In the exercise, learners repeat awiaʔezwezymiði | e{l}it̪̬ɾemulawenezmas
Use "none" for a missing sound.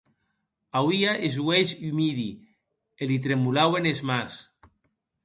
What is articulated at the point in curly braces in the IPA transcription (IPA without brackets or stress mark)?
l